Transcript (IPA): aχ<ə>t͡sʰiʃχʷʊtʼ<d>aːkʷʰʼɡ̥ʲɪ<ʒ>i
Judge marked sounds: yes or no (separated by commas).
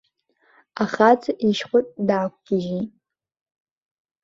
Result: no, yes, yes